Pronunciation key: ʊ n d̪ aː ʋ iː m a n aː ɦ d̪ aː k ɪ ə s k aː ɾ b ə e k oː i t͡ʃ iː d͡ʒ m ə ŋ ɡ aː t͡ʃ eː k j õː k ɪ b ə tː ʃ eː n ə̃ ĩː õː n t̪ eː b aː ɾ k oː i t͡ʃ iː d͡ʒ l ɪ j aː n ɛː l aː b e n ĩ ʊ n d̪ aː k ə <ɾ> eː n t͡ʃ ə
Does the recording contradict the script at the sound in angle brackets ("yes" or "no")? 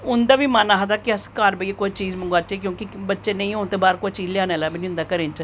no